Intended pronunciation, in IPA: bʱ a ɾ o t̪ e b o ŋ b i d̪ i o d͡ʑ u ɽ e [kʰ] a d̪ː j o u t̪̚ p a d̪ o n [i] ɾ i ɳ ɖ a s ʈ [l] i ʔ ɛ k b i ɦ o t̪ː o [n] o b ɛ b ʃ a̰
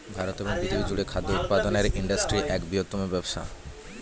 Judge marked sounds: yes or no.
yes, no, no, no

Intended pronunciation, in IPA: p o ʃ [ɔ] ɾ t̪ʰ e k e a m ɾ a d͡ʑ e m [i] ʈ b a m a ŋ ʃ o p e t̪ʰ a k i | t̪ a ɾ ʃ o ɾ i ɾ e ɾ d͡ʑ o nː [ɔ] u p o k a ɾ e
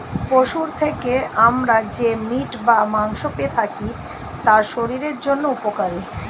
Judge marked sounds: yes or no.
no, yes, no

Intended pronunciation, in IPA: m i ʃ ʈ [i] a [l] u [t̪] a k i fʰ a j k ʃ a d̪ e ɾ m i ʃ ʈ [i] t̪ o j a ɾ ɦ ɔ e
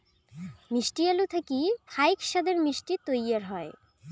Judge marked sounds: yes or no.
yes, yes, no, yes

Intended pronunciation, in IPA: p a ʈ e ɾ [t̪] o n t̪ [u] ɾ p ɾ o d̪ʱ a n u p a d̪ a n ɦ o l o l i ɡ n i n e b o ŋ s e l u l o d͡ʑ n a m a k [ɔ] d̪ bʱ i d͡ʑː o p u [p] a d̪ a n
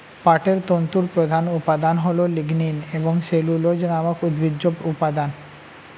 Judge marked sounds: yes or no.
yes, yes, no, yes

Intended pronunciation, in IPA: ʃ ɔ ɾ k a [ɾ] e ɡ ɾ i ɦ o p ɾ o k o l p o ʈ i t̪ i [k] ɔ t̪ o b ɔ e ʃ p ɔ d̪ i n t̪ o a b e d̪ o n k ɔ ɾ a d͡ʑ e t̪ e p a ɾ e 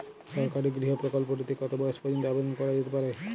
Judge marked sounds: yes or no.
yes, yes

